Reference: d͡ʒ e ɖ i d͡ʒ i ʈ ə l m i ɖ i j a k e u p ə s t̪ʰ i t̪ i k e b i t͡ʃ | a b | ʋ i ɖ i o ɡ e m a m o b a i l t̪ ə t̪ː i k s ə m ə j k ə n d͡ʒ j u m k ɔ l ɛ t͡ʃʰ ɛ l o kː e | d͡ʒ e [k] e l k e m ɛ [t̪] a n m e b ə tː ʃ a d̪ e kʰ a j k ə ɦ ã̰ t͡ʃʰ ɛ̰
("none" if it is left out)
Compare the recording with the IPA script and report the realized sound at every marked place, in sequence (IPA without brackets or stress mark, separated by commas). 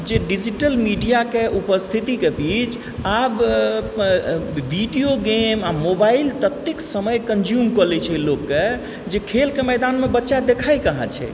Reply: kʰ, d̪